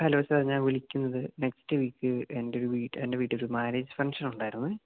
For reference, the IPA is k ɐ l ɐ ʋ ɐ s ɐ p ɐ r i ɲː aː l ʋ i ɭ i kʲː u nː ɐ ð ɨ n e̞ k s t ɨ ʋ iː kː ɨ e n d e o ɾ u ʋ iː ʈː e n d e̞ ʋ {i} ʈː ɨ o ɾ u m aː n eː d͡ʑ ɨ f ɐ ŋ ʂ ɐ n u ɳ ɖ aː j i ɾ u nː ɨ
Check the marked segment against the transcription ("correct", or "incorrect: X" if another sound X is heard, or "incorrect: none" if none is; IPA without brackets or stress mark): incorrect: iː